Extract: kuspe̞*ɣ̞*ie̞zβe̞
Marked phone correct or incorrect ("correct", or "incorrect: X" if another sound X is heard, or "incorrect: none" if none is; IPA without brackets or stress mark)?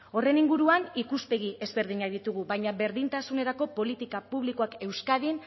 correct